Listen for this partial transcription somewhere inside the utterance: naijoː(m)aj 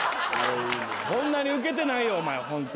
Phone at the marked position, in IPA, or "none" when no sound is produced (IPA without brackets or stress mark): m